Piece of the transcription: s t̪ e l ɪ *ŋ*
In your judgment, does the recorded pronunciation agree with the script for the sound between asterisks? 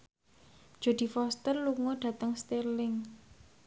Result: yes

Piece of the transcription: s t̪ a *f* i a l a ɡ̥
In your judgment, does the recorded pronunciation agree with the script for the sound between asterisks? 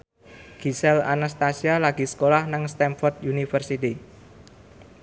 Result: no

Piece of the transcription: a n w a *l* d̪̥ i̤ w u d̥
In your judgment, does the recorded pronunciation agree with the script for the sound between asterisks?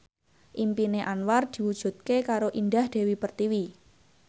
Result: no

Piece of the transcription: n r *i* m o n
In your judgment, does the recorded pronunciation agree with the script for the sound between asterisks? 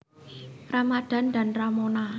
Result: no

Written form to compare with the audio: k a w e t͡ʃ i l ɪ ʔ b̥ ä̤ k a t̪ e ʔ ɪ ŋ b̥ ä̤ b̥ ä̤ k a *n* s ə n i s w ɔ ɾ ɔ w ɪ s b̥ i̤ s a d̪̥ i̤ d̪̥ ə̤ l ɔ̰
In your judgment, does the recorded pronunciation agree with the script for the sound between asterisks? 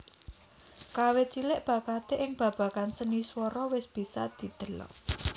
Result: yes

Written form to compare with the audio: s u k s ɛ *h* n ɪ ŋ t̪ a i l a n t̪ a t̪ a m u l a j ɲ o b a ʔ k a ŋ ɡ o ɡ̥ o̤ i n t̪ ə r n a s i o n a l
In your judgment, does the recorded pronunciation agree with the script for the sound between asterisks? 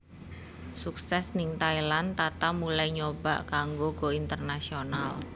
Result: no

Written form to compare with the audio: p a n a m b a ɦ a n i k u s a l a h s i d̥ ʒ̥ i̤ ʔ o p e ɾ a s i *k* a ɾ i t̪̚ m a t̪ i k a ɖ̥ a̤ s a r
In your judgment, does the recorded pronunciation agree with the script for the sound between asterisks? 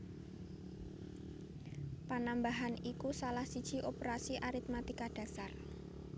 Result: no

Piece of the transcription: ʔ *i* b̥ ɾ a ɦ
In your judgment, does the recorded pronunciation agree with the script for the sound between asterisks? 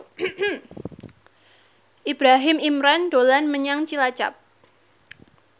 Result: yes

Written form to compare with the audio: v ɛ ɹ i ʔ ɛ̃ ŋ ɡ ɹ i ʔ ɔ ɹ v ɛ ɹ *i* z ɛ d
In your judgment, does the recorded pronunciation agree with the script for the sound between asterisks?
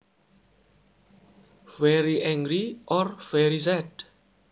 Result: yes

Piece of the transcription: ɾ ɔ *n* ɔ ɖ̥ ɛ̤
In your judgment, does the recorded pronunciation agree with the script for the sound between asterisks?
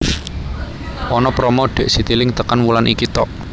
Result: no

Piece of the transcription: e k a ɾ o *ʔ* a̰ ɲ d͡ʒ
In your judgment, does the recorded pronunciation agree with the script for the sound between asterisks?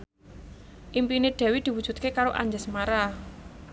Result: yes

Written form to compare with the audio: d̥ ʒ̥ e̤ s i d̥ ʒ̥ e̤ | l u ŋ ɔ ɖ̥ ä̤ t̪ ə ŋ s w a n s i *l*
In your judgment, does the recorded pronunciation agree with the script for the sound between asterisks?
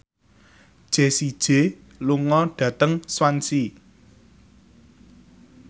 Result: no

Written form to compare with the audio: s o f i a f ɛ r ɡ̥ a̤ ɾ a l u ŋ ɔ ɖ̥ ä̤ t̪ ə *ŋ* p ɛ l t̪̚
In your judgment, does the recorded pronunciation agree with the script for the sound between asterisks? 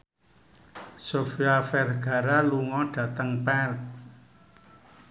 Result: yes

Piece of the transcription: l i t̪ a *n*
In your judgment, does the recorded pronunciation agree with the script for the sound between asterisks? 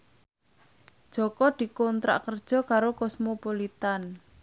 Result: yes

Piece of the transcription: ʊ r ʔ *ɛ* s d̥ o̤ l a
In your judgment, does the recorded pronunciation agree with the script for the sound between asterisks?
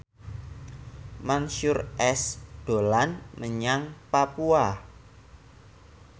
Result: yes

